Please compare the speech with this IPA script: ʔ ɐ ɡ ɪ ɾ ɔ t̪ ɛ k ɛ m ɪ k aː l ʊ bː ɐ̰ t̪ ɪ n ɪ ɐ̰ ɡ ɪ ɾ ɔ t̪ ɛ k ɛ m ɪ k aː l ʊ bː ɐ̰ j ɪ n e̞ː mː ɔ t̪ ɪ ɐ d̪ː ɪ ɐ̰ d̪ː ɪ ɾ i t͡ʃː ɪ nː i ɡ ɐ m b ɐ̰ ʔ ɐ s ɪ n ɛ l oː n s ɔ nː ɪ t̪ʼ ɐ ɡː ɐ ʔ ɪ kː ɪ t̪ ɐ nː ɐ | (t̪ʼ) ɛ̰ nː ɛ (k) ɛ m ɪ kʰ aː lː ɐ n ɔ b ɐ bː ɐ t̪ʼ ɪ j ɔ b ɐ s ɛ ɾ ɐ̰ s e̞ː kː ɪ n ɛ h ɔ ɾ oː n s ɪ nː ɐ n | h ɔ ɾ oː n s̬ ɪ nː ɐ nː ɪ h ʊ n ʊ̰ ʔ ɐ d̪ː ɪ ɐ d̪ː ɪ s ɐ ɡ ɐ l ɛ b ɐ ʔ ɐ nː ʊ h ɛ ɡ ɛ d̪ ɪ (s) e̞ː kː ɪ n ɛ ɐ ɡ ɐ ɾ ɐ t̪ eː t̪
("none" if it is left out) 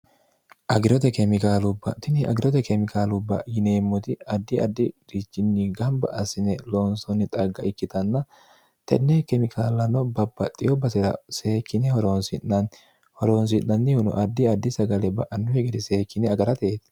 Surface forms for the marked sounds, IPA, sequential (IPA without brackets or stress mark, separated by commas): t̪, k, s